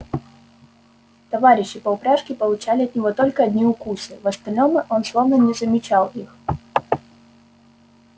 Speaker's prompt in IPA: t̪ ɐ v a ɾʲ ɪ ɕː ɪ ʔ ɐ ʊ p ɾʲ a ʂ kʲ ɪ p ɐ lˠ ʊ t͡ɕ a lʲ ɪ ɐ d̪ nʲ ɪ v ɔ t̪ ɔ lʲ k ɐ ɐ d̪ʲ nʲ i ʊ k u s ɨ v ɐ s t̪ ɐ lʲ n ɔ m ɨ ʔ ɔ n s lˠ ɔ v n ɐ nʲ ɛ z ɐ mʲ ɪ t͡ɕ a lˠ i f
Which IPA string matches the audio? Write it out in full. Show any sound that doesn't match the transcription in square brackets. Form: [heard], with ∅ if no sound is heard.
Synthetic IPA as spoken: t̪ ɐ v a ɾʲ ɪ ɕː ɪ [p] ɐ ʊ p ɾʲ a ʂ kʲ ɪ p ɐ lˠ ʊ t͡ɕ a lʲ ɪ ɐ [t̪] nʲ ɪ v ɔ t̪ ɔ lʲ k ɐ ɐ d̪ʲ nʲ i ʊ k u s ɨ v ɐ s t̪ ɐ lʲ n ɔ m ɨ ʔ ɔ n s lˠ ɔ v n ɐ nʲ ɛ z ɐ mʲ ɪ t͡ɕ a lˠ i [x]